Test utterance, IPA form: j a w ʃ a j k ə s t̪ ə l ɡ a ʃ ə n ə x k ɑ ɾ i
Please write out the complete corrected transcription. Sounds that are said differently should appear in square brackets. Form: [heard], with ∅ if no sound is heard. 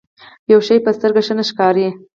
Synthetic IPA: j a w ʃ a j [p] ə s t̪ ə [ɾ] ɡ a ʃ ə n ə [ʃ] k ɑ ɾ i